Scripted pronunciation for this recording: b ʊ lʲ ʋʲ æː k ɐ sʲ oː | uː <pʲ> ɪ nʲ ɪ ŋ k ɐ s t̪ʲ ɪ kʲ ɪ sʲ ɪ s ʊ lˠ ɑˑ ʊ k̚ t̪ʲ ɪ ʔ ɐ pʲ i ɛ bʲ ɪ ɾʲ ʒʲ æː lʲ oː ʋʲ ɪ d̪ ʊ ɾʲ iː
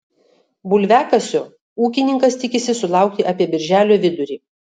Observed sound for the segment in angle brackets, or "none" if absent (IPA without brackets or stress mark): kʲ